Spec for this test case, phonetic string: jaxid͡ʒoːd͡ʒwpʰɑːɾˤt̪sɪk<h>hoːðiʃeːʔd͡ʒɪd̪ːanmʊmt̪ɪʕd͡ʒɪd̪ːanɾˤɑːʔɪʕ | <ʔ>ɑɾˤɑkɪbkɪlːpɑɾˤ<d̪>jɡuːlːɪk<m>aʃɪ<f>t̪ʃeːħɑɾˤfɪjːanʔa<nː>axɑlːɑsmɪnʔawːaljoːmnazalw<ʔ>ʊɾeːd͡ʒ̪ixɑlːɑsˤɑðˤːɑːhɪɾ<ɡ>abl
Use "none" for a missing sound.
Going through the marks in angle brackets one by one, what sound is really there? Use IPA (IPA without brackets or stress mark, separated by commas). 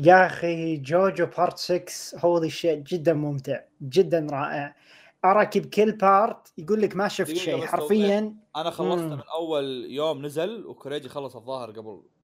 s, ʔ, t̪, m, f, n, k, ɡ